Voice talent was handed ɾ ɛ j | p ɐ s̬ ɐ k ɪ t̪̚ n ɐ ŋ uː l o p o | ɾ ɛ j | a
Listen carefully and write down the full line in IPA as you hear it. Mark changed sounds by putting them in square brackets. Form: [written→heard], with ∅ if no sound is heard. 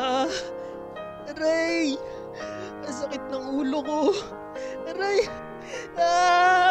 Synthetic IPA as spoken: ɾ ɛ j | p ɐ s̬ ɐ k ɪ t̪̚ n ɐ ŋ uː l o [p→k] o | ɾ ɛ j | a